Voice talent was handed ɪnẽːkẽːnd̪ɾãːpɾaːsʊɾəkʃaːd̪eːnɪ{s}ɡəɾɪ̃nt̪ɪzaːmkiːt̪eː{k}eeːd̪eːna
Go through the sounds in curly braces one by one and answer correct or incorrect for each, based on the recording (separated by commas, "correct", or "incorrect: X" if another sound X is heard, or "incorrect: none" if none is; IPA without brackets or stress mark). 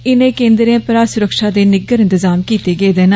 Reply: incorrect: none, incorrect: ɡ